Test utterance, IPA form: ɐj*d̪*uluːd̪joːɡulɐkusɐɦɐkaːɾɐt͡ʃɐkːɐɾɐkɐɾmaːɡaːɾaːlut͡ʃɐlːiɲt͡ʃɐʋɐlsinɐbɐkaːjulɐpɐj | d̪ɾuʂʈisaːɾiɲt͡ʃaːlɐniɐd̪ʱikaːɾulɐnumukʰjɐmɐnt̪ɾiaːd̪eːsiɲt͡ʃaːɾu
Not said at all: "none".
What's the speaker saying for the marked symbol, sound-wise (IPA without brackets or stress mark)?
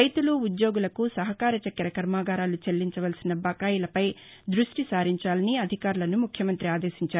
t̪